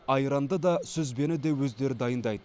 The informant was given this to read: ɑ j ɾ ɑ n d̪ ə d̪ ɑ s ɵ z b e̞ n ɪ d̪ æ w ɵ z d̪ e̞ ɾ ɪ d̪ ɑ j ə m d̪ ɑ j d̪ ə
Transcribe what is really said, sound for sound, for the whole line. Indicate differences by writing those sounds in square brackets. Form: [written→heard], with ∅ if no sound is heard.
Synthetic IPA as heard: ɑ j ɾ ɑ n d̪ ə d̪ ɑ s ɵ z b e̞ n ɪ d̪ [æ→e] w ɵ z d̪ e̞ ɾ ɪ d̪ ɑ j ə [m→n] d̪ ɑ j d̪ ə